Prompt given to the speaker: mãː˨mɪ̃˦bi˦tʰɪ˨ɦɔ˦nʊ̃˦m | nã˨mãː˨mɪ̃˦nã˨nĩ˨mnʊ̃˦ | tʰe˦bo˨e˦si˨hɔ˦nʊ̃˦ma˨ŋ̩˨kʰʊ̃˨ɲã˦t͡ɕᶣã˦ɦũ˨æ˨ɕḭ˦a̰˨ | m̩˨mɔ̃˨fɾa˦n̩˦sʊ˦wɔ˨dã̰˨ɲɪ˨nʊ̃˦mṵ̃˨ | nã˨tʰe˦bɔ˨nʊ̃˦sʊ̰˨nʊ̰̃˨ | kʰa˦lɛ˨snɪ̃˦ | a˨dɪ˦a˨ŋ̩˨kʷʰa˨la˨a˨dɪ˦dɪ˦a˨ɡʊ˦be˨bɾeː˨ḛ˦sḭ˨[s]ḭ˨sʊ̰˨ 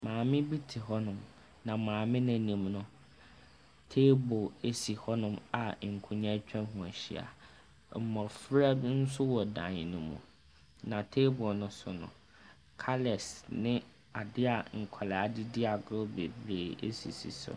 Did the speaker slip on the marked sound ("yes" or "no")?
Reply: no